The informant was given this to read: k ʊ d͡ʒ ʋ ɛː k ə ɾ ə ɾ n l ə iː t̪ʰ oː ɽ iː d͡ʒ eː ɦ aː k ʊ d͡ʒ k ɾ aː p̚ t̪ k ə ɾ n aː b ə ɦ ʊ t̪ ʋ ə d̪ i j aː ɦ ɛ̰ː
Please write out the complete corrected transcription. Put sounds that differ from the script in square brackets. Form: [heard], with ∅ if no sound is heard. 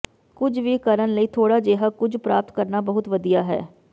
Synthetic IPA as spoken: k ʊ d͡ʒ ʋ [iː] k ə ɾ ə [∅] n l ə iː t̪ʰ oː ɽ [aː] d͡ʒ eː ɦ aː k ʊ d͡ʒ [p] ɾ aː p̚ t̪ k ə ɾ n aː b ə ɦ ʊ t̪ ʋ ə d̪ i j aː ɦ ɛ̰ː